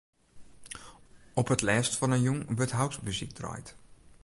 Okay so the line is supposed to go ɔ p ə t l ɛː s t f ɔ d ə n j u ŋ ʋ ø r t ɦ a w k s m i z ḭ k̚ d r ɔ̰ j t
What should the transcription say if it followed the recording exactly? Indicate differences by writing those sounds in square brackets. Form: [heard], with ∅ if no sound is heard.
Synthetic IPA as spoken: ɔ p ə t l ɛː s t f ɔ [n] ə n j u ŋ ʋ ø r t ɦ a w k s m [y] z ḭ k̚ d r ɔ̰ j t